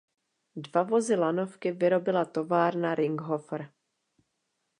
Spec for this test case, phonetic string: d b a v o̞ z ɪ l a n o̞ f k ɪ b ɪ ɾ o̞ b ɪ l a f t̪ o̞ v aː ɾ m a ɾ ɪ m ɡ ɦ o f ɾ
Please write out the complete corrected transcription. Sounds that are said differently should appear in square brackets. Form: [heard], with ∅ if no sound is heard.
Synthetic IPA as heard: d [v] a v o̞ z ɪ l a n o̞ f k ɪ [v] ɪ ɾ o̞ b ɪ l a [∅] t̪ o̞ v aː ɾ [n] a ɾ ɪ [ŋ] ɡ ɦ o f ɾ